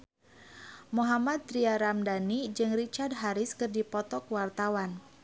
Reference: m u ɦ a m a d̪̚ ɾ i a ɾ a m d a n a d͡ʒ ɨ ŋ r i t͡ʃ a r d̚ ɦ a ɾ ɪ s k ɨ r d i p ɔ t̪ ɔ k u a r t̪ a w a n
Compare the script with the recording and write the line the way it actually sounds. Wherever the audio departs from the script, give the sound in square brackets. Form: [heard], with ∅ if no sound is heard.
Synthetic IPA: m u ɦ a m a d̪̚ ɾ i a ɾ a m d a n [i] d͡ʒ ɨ ŋ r i t͡ʃ a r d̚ ɦ a ɾ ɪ s k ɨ r d i p ɔ t̪ ɔ k [w] a r t̪ a w a n